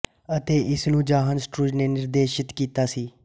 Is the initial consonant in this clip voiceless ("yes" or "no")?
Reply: yes